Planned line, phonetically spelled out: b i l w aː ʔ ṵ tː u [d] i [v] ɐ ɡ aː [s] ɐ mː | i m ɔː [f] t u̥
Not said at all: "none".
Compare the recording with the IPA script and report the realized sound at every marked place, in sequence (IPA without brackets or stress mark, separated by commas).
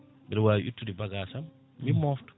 d, b, s, f